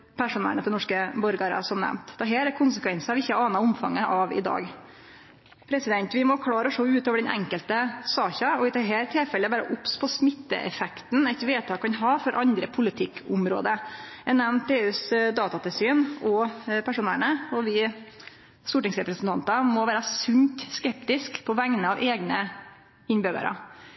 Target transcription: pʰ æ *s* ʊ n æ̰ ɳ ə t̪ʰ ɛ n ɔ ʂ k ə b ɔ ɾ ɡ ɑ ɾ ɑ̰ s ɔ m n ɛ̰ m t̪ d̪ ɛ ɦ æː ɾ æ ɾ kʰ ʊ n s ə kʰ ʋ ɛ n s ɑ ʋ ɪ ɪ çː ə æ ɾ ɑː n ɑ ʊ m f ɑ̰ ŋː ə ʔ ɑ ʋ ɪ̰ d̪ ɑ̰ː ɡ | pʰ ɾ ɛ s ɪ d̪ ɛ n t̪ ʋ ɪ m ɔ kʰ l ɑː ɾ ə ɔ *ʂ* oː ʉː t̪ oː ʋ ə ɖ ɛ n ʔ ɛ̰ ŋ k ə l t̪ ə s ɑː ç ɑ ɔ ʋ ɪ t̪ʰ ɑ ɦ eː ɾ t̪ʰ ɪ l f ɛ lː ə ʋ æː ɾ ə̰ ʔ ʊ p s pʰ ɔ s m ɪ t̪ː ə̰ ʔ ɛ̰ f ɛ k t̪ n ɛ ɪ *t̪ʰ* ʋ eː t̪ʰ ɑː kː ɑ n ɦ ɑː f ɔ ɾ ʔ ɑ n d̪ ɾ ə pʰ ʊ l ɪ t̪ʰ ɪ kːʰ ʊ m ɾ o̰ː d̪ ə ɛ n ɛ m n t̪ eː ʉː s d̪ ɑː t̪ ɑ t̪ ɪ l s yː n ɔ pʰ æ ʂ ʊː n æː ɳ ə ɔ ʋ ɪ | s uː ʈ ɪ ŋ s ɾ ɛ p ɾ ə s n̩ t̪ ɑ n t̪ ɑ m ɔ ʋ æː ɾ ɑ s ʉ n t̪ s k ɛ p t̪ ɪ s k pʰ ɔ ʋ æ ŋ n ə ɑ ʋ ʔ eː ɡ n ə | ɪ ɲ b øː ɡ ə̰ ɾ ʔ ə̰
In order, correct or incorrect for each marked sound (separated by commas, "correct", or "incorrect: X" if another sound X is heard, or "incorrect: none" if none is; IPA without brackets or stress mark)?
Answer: incorrect: ʂ, correct, incorrect: t̪